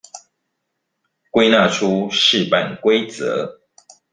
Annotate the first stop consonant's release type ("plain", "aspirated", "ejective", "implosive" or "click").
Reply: plain